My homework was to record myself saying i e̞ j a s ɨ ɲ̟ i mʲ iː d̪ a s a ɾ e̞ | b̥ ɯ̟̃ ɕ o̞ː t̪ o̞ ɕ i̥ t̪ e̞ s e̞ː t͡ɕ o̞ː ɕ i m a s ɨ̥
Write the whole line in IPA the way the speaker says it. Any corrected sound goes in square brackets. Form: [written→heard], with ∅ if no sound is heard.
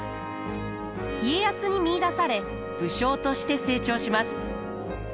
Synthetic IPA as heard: i e̞ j a s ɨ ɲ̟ i mʲ iː d̪ a s a ɾ e̞ | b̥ [ɯ̟̃→ɯ̟] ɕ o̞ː t̪ o̞ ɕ i̥ t̪ e̞ s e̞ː t͡ɕ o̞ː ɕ i m a s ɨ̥